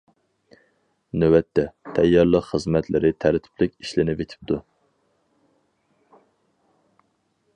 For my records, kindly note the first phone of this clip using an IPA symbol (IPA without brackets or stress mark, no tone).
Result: n